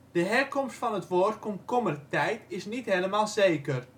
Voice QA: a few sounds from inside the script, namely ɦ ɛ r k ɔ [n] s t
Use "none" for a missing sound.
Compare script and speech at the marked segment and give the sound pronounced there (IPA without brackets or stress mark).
m